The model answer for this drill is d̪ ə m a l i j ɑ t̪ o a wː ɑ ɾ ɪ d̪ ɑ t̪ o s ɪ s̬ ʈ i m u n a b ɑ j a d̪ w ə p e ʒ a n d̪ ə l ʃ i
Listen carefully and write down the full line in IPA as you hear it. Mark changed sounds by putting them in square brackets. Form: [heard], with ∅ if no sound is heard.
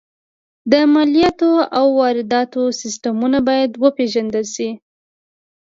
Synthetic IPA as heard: d̪ ə m a l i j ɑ t̪ o a wː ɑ ɾ ɪ d̪ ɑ t̪ o s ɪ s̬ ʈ [a] m u n a b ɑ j a d̪ w ə p e ʒ a n d̪ ə l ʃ i